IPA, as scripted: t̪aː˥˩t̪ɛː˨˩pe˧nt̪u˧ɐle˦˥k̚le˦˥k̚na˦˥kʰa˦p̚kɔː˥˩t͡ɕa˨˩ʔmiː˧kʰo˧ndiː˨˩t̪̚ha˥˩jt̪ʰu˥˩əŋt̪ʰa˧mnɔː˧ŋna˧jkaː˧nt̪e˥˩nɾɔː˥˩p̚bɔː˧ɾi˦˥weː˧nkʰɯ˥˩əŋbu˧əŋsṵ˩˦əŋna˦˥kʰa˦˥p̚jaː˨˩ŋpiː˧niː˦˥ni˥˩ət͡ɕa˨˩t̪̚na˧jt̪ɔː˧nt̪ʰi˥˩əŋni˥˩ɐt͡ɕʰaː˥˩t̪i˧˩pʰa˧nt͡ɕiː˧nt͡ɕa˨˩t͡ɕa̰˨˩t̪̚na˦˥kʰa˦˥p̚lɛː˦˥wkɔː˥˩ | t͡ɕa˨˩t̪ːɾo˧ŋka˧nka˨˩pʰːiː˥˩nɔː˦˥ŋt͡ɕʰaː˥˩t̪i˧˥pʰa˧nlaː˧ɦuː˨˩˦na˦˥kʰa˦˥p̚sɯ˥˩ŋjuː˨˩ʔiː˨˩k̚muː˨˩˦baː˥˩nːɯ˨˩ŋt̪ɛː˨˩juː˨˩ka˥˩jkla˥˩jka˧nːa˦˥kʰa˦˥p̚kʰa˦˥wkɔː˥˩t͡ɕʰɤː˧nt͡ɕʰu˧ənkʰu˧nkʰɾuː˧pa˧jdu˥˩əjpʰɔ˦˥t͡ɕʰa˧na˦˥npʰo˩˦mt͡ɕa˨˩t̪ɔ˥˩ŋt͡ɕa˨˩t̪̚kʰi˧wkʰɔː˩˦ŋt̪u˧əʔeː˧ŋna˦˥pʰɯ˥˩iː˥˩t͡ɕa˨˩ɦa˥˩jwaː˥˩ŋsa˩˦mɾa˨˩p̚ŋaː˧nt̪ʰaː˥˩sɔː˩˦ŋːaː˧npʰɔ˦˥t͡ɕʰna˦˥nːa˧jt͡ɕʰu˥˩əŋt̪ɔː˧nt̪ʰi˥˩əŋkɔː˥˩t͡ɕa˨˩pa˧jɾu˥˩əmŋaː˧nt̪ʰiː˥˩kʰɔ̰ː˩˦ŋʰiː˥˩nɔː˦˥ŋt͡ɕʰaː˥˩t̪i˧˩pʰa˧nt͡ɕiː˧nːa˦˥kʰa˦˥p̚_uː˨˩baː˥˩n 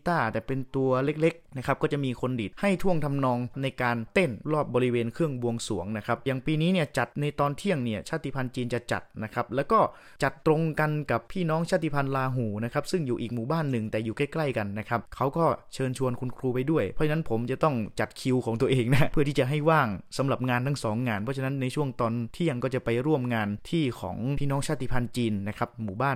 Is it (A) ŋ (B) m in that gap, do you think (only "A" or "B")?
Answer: B